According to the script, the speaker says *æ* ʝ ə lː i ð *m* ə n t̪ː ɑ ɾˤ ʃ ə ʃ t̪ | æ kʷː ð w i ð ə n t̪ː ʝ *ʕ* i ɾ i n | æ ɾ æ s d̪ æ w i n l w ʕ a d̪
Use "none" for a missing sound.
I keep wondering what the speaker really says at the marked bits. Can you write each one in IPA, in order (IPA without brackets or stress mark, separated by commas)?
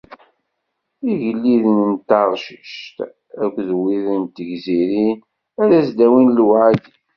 i, n, z